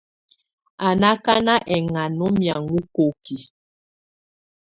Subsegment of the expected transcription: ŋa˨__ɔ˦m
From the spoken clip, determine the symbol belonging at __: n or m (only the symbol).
n